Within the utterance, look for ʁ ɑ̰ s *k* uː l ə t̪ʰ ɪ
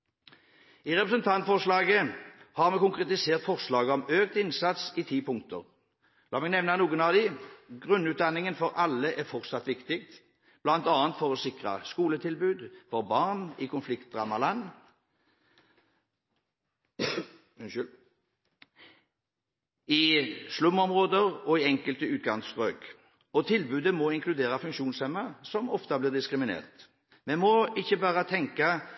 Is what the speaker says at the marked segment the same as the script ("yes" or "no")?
yes